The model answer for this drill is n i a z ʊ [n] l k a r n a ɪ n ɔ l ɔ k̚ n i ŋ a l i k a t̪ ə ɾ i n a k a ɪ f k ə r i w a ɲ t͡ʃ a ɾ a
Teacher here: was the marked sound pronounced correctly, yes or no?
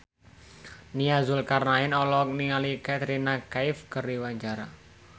no